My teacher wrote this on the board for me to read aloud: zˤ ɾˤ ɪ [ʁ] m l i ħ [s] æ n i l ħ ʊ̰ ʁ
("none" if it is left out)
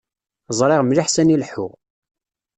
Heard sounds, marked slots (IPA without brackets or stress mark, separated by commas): ʁ, s